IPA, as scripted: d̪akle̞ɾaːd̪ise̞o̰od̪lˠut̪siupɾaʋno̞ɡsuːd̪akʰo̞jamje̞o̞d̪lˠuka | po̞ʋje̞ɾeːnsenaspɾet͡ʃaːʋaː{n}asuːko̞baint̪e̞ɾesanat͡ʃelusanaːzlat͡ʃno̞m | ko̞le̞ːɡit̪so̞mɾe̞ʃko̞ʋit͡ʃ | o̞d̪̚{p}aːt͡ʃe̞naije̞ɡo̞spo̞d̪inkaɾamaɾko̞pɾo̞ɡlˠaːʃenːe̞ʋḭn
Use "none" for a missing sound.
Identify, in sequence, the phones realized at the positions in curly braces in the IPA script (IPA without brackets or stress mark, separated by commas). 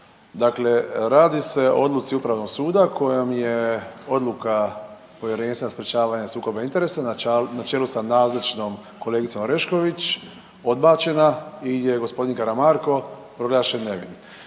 ɲ, b